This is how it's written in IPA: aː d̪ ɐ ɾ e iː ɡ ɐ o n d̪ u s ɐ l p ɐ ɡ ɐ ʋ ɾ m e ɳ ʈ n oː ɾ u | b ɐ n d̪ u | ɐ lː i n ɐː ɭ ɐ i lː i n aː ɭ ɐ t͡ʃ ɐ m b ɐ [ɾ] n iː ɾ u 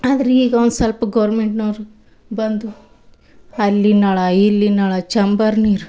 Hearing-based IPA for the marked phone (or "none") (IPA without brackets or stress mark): ɾ